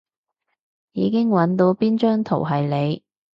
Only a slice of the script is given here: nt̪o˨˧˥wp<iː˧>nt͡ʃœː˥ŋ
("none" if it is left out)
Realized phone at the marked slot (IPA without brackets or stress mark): iː˥